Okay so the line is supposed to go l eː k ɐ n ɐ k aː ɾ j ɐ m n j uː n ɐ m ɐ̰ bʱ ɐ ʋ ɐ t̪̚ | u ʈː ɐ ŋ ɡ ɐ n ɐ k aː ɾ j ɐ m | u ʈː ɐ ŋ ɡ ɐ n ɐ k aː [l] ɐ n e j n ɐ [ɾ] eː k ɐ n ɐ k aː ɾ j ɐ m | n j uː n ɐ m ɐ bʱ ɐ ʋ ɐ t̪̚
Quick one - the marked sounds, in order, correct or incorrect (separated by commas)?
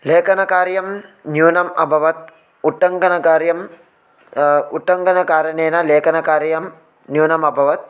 incorrect, incorrect